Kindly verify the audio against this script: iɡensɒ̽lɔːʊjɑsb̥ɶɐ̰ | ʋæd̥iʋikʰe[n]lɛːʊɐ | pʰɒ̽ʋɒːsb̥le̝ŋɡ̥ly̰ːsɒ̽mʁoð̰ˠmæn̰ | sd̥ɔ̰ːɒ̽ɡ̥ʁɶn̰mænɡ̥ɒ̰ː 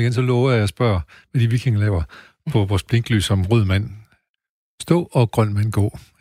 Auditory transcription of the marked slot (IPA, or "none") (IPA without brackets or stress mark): ŋ